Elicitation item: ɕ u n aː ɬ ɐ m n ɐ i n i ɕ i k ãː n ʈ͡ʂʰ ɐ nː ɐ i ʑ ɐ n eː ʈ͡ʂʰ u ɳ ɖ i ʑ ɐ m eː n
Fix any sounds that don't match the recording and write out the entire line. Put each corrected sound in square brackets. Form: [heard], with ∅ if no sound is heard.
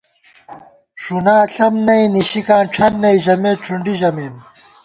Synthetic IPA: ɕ u n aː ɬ ɐ m n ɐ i n i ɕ i k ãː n ʈ͡ʂʰ ɐ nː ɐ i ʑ ɐ [m] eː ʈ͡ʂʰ u ɳ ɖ i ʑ ɐ m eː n